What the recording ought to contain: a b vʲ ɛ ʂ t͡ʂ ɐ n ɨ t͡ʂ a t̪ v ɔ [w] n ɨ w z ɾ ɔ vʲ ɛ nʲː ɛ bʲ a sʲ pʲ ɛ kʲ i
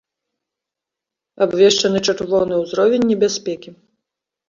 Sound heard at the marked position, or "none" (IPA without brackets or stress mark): w